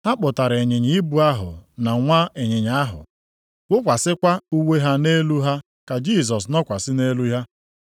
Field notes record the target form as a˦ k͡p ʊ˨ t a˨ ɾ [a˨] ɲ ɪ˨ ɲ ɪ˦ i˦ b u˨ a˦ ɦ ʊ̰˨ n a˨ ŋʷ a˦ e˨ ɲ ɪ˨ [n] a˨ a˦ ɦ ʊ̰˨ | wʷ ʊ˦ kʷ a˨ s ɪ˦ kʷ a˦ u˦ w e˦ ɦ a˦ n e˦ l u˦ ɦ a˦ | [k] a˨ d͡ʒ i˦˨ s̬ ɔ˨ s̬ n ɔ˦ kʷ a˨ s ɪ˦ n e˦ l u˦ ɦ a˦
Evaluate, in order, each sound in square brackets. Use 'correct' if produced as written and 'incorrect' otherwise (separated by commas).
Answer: incorrect, incorrect, correct